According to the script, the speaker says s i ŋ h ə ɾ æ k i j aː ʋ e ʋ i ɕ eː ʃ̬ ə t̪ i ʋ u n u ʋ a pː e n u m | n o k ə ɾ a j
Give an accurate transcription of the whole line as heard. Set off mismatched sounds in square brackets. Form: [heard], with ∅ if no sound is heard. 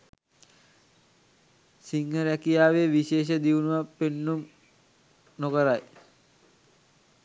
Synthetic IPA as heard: s i ŋ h ə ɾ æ k i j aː ʋ e ʋ i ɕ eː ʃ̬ ə [d̪] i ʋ u n u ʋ a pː e [nː] u m | n o k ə ɾ a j